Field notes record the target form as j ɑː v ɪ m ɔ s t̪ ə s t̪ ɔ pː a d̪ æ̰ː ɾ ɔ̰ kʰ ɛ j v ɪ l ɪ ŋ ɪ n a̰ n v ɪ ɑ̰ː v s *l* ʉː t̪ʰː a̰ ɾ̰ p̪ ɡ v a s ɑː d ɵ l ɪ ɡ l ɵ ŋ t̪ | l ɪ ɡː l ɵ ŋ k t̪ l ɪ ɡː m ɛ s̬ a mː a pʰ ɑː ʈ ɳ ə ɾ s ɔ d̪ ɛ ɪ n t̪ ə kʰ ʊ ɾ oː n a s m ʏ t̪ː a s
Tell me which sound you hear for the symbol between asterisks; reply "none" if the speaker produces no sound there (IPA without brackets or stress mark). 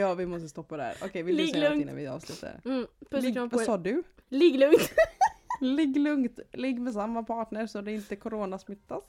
l